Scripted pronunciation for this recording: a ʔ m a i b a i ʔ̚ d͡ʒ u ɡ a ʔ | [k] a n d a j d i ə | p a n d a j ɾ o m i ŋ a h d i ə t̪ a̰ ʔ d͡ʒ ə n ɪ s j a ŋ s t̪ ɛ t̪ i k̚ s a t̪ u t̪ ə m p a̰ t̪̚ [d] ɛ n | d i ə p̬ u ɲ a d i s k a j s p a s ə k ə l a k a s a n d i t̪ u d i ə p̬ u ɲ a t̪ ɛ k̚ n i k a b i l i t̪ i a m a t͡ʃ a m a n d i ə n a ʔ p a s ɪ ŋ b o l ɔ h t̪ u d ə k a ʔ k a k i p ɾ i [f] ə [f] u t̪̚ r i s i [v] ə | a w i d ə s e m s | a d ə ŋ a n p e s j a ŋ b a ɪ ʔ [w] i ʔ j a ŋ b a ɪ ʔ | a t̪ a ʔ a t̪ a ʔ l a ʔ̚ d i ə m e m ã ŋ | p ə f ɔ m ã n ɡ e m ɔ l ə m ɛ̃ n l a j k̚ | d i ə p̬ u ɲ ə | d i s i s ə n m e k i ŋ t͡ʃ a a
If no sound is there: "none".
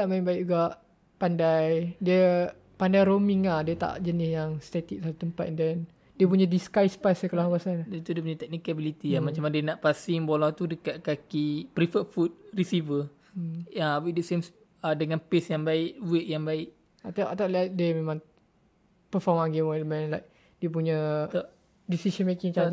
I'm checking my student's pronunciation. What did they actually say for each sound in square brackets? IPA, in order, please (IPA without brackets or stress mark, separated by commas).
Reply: p, d, f, f, v, w